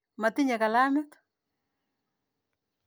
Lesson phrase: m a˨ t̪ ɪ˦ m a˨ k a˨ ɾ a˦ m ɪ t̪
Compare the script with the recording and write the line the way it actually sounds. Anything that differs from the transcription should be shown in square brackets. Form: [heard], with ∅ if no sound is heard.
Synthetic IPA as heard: m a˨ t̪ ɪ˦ [ɲ] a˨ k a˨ [l] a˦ m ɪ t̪